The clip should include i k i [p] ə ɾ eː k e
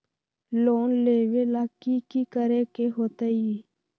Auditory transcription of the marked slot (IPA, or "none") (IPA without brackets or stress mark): k